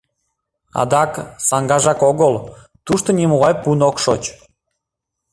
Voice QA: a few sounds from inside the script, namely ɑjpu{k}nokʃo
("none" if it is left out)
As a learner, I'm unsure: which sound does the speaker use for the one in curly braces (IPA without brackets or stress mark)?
none